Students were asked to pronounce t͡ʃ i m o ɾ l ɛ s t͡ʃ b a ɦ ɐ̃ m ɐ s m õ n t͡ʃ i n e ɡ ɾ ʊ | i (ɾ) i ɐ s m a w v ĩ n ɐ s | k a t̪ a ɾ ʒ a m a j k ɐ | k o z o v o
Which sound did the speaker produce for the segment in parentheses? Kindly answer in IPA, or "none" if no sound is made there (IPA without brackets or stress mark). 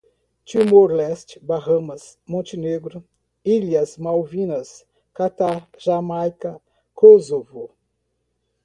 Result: l